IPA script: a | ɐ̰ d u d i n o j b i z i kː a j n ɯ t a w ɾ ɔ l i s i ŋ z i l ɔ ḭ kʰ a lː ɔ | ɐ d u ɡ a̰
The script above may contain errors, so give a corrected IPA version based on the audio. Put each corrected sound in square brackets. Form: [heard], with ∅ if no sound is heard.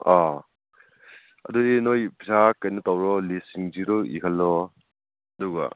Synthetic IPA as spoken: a | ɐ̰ d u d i n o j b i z [a] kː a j n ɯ t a w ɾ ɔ l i s i ŋ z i [ɾ] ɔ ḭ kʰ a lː ɔ | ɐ d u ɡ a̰